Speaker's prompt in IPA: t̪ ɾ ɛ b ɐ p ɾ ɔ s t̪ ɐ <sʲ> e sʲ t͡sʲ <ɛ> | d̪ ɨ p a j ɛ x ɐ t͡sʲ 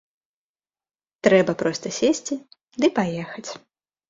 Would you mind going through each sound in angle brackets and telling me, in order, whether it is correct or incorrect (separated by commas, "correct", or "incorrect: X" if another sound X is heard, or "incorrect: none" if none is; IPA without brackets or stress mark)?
correct, incorrect: i